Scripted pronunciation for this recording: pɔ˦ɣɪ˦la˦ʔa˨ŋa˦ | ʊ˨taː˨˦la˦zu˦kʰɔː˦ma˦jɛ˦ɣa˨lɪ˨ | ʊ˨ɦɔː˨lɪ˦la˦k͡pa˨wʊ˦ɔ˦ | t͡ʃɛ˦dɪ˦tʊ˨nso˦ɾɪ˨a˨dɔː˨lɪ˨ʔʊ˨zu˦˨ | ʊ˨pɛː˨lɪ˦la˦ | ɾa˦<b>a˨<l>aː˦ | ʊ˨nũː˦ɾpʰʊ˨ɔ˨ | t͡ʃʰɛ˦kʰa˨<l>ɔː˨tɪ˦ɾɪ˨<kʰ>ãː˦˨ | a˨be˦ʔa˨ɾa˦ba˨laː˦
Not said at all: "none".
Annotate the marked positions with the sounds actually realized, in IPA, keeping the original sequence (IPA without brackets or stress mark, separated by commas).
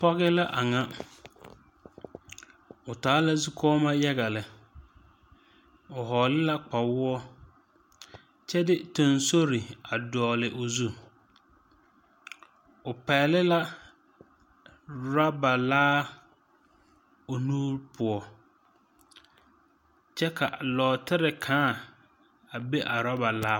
b, l, l, kʰ